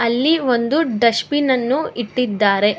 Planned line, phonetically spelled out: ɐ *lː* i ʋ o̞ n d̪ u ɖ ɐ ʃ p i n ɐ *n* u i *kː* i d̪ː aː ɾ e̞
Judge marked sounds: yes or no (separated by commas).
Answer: yes, no, no